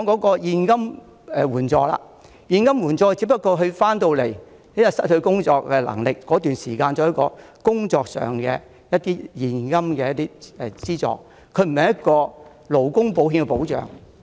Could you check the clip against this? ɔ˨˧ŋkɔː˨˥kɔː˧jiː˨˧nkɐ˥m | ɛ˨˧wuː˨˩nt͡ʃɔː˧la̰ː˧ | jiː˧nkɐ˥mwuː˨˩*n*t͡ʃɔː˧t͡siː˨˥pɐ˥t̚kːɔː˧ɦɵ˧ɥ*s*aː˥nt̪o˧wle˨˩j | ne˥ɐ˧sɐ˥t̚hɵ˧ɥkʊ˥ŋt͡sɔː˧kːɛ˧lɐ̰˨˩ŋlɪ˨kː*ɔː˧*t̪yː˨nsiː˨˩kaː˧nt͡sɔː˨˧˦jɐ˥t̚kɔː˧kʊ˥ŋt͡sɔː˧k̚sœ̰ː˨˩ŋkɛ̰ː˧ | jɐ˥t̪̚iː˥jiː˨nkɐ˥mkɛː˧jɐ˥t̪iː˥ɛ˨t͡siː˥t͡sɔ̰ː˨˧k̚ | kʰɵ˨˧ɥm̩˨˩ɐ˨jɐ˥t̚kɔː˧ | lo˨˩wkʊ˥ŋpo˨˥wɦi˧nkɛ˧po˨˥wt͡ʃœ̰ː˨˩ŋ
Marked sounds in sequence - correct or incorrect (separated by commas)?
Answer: correct, incorrect, incorrect